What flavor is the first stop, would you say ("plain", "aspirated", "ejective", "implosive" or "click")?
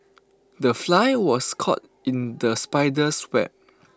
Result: plain